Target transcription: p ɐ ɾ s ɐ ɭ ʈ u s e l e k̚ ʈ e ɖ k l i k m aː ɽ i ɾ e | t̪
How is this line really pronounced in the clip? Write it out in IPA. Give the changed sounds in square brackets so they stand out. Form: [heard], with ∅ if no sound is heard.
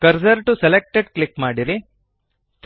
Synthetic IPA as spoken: [k] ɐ ɾ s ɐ [ɾ] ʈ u s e l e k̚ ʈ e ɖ k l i k m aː ɽ i ɾ [i] | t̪